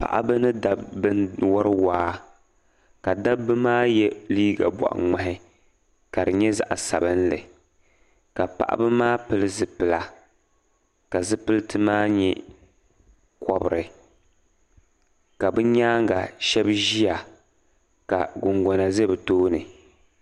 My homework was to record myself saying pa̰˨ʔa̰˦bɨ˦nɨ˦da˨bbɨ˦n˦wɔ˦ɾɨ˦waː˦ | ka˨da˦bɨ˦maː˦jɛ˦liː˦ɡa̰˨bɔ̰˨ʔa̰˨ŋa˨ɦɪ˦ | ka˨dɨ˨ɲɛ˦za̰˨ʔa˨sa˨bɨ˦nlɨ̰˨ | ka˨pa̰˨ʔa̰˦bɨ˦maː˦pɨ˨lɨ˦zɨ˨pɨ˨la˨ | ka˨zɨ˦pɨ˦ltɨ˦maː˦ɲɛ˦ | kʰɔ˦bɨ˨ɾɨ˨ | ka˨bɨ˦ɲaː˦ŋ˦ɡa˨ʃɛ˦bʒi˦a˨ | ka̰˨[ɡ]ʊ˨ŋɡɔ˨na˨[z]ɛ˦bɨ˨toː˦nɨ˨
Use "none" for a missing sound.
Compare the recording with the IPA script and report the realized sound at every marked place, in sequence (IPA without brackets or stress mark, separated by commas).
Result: ɡ, z